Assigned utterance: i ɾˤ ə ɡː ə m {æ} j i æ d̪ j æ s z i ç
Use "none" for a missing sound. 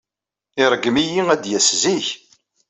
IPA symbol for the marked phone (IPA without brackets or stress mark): i